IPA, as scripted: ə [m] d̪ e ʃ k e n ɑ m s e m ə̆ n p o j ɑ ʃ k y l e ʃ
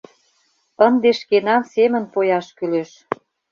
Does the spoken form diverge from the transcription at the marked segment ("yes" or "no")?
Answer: yes